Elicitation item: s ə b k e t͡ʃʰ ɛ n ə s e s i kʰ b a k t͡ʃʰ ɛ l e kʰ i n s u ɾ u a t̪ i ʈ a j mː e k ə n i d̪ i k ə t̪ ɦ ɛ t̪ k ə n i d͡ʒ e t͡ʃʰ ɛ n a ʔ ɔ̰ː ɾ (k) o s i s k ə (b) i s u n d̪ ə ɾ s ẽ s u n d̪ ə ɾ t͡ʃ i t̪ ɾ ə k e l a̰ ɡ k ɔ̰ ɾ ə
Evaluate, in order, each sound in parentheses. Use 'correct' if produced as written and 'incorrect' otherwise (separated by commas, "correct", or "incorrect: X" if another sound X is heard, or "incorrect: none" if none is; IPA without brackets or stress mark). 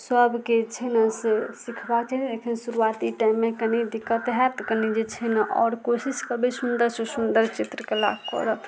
correct, correct